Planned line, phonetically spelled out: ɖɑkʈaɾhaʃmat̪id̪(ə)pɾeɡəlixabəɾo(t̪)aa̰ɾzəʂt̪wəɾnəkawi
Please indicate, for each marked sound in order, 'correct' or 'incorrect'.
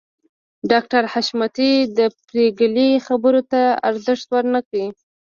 correct, correct

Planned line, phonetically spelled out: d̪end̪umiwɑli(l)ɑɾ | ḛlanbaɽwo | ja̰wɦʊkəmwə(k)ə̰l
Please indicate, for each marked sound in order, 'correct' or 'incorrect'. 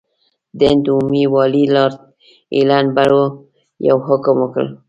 correct, correct

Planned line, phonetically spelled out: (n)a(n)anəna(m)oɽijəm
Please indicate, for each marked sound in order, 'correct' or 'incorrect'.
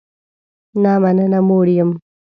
correct, incorrect: m, correct

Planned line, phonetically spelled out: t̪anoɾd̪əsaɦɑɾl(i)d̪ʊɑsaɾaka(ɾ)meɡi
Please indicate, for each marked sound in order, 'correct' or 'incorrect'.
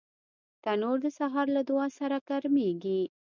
incorrect: a, correct

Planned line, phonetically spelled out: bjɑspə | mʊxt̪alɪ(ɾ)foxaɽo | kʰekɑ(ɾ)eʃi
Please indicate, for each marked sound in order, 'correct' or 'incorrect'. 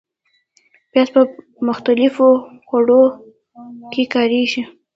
incorrect: none, correct

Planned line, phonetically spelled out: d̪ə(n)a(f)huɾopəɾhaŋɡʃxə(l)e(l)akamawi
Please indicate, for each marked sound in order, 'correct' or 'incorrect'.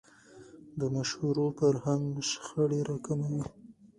incorrect: m, incorrect: ʃ, incorrect: ɽ, incorrect: ɾ

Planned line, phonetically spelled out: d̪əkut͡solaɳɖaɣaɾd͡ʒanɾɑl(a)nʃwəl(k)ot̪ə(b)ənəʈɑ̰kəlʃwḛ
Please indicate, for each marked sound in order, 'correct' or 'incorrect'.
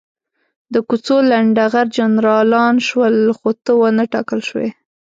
incorrect: ɑ, incorrect: x, incorrect: w

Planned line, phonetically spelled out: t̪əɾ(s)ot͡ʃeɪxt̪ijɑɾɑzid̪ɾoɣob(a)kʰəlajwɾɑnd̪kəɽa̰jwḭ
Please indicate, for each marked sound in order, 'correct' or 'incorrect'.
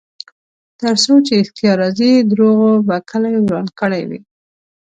correct, correct

